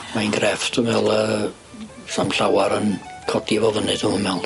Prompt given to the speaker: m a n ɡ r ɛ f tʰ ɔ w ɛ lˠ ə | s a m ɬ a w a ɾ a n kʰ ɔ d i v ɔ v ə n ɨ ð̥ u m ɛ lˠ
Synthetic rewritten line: m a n ɡ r ɛ f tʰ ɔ v ɛ lˠ ə | s a m ɬ a w a ɾ ə n kʰ ɔ d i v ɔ v ə n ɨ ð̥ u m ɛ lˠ